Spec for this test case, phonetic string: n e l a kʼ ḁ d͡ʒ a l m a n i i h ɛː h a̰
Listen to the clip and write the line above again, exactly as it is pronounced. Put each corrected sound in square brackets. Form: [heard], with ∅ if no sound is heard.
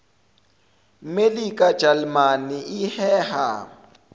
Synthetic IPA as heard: [m] e l [i] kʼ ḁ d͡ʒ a l m a n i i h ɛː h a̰